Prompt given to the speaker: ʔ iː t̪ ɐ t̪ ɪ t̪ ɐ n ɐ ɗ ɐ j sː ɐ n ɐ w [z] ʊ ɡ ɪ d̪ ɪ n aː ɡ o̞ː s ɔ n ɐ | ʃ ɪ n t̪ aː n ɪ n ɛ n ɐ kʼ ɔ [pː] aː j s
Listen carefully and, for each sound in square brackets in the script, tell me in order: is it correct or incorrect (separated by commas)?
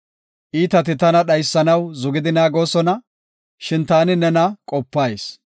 correct, correct